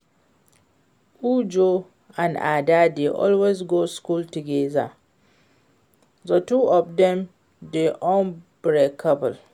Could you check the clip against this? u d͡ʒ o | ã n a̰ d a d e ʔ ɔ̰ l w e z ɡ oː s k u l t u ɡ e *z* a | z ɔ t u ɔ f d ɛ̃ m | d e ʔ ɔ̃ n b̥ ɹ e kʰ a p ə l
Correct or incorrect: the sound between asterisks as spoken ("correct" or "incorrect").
correct